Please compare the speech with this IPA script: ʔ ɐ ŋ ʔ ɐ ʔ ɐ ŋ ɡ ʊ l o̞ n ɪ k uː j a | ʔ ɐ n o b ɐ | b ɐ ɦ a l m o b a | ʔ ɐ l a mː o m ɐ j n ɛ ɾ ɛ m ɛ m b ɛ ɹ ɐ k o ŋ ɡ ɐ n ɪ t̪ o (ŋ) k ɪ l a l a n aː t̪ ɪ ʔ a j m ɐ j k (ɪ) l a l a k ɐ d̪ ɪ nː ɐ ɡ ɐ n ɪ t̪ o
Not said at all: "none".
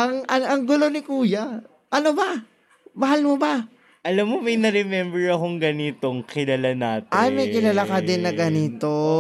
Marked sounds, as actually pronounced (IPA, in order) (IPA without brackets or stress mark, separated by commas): ŋ, ɪ